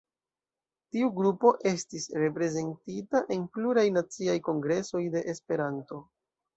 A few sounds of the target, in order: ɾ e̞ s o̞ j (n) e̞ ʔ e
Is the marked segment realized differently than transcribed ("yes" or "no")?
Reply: yes